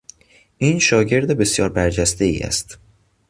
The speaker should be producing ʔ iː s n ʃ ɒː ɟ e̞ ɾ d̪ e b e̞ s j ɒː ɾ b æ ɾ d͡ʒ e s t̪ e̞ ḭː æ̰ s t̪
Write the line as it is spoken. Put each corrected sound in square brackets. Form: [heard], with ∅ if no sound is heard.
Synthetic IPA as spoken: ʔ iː [∅] n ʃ ɒː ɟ e̞ ɾ d̪ e b e̞ s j ɒː ɾ b æ ɾ d͡ʒ [æ] s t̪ e̞ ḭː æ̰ s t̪